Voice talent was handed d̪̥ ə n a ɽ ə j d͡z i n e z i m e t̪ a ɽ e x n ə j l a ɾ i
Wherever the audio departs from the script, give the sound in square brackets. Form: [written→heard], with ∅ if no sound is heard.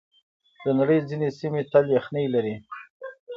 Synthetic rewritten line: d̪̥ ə n a ɽ ə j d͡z i n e [z→s] i m e t̪ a [ɽ→l] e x n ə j l a ɾ i